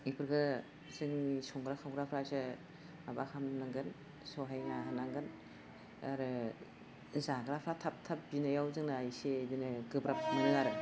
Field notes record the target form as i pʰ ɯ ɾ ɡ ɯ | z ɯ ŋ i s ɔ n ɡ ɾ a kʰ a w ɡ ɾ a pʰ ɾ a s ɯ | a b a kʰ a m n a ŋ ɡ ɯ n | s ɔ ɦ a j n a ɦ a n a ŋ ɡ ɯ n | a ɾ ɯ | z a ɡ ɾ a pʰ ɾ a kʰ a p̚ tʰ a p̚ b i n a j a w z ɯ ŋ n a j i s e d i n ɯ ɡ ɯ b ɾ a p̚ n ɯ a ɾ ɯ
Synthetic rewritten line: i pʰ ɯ ɾ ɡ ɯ | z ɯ ŋ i s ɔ ŋ ɡ ɾ a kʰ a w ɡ ɾ a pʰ ɾ a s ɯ | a b a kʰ a m n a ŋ ɡ ɯ n | s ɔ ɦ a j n a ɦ a n a ŋ ɡ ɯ n | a ɾ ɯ | z a ɡ ɾ a pʰ ɾ a tʰ a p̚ tʰ a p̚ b i n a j a w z ɯ ŋ n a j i s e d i n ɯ ɡ ɯ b ɾ a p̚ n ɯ a ɾ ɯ